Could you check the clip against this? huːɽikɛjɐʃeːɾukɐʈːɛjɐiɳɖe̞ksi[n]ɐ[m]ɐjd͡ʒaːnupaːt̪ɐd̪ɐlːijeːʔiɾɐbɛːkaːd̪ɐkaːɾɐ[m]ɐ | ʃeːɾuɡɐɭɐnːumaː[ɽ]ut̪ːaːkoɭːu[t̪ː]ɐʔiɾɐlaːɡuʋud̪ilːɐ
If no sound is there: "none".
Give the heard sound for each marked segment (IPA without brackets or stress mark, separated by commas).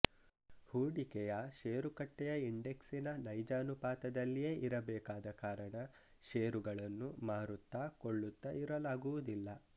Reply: n, n, ɳ, ɾ, t̪ː